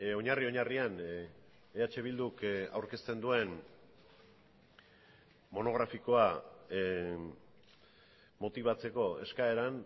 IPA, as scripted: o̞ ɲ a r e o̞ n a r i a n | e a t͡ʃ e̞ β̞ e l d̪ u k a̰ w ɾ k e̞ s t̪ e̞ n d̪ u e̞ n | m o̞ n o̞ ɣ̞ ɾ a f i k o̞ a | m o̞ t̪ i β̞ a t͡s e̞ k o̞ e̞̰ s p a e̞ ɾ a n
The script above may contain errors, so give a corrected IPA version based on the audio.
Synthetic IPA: o̞ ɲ a r i o̞ ɲ a r i a n | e a t͡ʃ e̞ β̞ i l d̪ u k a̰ w ɾ k e̞ s t̪ e̞ n d̪ u e̞ n | m o̞ n o̞ ɣ̞ ɾ a f i k o̞ a | m o̞ t̪ i β̞ a t͡s e̞ k o̞ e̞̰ s k a e̞ ɾ a n